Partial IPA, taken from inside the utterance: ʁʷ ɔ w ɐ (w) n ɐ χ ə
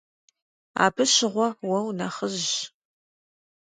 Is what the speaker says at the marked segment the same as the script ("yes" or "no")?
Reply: yes